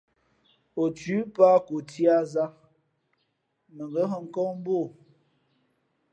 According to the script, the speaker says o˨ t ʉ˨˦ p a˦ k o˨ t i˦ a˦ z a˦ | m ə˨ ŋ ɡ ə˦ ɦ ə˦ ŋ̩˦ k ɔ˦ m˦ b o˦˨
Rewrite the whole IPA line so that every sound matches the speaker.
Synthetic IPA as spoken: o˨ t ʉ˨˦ p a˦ k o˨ t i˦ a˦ z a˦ | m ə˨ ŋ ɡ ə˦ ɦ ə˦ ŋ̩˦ k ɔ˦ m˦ b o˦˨